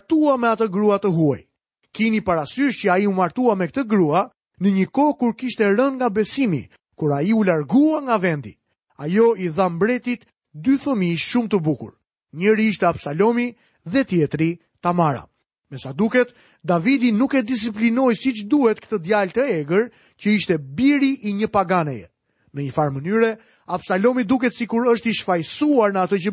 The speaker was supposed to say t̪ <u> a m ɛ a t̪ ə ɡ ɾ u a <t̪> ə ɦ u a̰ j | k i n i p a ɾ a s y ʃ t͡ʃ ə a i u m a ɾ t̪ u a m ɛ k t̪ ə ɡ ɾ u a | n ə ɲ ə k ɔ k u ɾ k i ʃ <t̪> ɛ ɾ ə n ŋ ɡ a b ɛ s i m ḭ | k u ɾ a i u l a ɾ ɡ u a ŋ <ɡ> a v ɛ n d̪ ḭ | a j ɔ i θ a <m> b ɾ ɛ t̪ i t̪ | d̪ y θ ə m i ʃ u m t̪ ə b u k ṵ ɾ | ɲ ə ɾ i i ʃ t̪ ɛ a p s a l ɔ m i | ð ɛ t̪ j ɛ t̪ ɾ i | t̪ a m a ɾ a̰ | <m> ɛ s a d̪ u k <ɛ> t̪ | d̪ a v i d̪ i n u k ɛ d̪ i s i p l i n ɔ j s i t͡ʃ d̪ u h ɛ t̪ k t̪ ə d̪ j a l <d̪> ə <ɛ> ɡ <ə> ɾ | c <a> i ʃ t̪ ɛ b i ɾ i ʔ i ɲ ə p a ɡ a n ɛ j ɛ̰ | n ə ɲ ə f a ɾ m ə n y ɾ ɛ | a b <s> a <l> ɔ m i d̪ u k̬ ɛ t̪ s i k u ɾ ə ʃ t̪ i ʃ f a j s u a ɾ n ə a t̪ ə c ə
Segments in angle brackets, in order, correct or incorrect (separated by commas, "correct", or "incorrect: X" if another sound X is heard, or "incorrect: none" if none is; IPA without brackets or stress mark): correct, correct, correct, correct, correct, correct, correct, incorrect: t̪, correct, correct, incorrect: ə, correct, correct